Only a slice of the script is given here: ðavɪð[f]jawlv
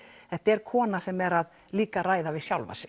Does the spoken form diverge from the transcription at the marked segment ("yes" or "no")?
yes